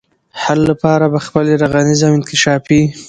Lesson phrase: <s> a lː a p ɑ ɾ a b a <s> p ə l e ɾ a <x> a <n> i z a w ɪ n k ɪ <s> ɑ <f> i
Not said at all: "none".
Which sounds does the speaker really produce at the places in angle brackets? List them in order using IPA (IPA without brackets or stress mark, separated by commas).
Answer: h, x, ɣ, n, ʃ, f